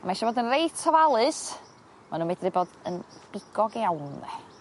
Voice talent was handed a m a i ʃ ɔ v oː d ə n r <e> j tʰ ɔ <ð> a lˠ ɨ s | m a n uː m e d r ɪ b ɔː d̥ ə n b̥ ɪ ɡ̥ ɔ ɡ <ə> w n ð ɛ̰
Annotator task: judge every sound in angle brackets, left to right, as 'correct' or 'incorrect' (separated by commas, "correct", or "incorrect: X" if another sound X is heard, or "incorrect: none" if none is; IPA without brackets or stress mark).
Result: correct, incorrect: v, incorrect: a